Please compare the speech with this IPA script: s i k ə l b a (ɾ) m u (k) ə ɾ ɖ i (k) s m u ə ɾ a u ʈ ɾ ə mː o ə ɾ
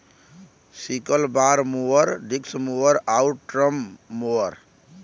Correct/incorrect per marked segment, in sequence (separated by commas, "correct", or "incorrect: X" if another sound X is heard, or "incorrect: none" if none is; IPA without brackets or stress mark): correct, incorrect: none, correct